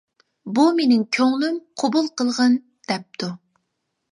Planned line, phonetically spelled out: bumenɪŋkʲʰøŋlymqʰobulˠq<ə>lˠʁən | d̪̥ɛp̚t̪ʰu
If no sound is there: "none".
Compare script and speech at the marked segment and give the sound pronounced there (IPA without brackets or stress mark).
ə